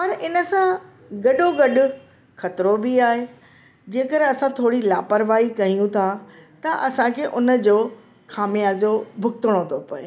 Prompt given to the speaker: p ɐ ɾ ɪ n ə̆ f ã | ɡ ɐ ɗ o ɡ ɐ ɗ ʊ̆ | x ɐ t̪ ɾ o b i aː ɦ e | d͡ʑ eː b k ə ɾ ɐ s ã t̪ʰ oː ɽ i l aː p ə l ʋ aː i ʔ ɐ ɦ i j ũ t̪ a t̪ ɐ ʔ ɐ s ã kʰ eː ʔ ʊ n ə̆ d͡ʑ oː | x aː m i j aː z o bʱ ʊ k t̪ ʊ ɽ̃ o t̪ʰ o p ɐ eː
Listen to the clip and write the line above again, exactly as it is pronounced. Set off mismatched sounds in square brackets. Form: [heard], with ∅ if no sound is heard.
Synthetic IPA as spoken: p ɐ ɾ ɪ n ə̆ [s] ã | ɡ ɐ ɗ o ɡ ɐ ɗ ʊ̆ | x ɐ t̪ ɾ o b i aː ɦ e | d͡ʑ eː [∅] k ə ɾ ɐ s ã t̪ʰ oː ɽ i l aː p ə [ɾ] ʋ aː i [k] ɐ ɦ i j ũ [t̪ʰ] a t̪ ɐ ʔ ɐ s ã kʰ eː ʔ ʊ n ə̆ d͡ʑ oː | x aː m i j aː z o bʱ ʊ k t̪ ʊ ɽ̃ o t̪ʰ o p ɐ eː